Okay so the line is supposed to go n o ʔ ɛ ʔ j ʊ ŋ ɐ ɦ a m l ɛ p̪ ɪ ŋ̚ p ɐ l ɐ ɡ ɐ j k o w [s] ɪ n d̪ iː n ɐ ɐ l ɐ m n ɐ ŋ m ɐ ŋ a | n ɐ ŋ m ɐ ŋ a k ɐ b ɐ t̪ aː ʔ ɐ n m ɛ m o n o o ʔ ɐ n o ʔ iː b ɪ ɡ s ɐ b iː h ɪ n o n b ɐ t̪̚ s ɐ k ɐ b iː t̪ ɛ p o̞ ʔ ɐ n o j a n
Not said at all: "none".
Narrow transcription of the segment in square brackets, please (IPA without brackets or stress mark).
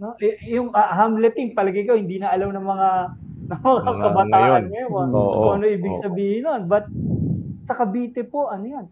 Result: h